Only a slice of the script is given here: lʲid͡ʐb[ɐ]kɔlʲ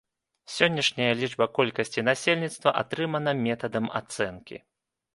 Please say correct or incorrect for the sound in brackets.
correct